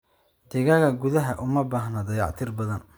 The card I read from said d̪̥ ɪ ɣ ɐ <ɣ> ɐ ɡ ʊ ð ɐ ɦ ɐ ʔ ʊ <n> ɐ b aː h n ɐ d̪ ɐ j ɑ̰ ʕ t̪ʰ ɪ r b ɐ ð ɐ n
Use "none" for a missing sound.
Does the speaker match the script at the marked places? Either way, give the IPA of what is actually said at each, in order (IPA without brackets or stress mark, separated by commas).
ɣ, m